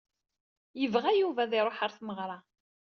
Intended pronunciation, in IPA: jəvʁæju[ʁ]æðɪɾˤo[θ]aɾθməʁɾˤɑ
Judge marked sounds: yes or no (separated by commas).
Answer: no, no